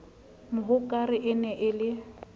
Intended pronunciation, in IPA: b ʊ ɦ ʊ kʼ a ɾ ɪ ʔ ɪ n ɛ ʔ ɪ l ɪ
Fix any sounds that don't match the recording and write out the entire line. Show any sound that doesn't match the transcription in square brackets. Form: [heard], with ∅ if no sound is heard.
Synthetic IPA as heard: [m] ʊ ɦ ʊ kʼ a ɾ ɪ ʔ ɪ n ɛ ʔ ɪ l ɪ